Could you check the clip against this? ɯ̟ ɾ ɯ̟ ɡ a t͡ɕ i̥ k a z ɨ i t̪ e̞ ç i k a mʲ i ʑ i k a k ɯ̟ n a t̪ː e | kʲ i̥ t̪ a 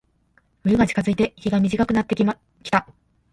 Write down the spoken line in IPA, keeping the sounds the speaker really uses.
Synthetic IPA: ɯ̟ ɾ ɯ̟ ɡ a t͡ɕ i̥ k a z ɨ i t̪ e̞ ç i ɡ a mʲ i ʑ i k a k ɯ̟ n a t̪ː e | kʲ i̥ t̪ a